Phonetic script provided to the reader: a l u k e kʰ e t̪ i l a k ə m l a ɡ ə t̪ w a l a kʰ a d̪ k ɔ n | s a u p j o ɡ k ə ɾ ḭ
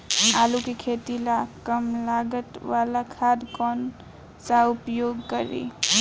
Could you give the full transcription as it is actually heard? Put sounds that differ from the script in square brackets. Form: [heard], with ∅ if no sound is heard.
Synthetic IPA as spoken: a l u k e kʰ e t̪ i l a k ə m l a ɡ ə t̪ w a l a kʰ a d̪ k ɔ n | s a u p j o ɡ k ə ɾ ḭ

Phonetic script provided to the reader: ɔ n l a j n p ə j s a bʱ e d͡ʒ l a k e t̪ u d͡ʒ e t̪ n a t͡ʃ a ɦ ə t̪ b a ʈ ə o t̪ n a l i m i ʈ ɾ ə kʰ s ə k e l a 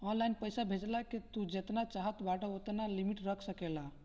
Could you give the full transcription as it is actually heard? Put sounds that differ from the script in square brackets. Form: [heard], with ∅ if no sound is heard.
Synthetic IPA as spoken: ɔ n l a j n p ə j s a bʱ e d͡ʒ l a k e t̪ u d͡ʒ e t̪ n a t͡ʃ a ɦ ə t̪ b a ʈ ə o t̪ n a l i m i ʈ ɾ ə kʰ s ə k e l a

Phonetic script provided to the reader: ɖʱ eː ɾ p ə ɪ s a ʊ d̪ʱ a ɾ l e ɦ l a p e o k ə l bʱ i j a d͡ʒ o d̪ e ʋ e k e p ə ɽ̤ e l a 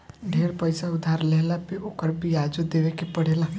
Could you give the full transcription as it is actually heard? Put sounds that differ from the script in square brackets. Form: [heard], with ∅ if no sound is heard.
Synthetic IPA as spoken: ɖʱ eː ɾ p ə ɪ s a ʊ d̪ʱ a ɾ l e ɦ l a p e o k ə [ɾ] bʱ i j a d͡ʒ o d̪ e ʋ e k e p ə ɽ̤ e l a

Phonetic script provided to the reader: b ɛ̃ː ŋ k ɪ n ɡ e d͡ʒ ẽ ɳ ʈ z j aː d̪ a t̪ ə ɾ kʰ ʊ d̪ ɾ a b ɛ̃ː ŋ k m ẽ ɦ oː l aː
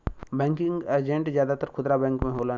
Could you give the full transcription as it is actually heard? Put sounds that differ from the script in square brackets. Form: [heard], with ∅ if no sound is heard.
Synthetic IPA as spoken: b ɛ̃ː ŋ k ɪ [ŋ] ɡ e d͡ʒ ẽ ɳ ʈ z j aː d̪ a t̪ ə ɾ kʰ ʊ d̪ ɾ a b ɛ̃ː ŋ k m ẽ ɦ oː l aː

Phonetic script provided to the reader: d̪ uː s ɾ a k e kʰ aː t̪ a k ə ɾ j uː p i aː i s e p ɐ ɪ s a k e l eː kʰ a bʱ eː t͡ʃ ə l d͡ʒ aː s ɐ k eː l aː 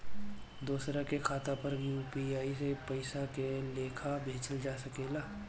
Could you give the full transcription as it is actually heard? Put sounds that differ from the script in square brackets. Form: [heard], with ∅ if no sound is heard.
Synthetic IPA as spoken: d̪ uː s ɾ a k e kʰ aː t̪ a [p] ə ɾ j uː p i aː i s e p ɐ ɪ s a k e l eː kʰ a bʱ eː t͡ʃ ə l d͡ʒ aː s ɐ k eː l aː

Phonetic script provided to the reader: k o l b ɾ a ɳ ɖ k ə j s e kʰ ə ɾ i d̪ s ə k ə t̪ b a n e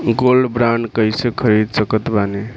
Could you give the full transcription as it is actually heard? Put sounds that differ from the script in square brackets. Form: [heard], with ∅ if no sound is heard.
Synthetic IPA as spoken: [ɡ] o l b ɾ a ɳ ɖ k ə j s e kʰ ə ɾ i d̪ s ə k ə t̪ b a n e

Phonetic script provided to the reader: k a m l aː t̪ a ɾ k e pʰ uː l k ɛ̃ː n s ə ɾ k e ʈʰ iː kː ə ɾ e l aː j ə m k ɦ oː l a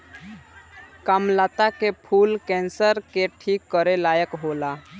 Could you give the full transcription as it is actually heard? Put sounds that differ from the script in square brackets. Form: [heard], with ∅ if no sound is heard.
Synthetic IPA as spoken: k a m l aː t̪ a [∅] k e pʰ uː l k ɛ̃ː n s ə ɾ k e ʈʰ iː kː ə ɾ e l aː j ə [∅] k ɦ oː l a

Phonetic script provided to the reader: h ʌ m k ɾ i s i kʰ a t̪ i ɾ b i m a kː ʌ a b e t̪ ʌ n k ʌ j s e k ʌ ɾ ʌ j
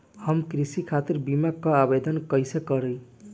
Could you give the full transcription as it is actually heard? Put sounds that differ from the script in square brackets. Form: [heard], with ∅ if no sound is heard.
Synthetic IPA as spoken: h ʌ m k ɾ i s i kʰ a t̪ i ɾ b i m a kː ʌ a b e [d̪] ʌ n k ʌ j s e k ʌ ɾ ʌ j

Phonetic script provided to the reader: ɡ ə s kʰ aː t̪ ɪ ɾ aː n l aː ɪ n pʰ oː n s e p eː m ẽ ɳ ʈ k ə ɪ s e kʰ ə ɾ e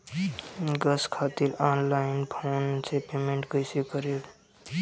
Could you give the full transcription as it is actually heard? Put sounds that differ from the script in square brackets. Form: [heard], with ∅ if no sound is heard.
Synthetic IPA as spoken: ɡ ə s kʰ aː t̪ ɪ ɾ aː n l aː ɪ n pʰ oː n s e p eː m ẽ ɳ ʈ k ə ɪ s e [k] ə ɾ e

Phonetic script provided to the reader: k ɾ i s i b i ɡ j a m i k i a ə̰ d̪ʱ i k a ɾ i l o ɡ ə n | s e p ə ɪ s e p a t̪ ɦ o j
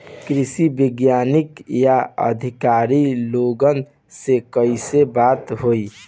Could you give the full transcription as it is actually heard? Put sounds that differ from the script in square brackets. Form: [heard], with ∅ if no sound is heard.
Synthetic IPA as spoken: k ɾ i s i b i ɡ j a [n] i k [j] a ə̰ d̪ʱ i k a ɾ i l o ɡ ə n | s e [k] ə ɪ s e [b] a t̪ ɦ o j

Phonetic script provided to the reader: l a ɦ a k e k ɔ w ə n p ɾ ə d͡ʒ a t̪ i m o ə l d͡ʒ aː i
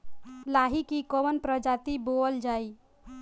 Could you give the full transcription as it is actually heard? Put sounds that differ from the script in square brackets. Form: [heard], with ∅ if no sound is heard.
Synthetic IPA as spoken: l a ɦ [i] k [i] k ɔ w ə n p ɾ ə d͡ʒ a t̪ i [b] o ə l d͡ʒ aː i

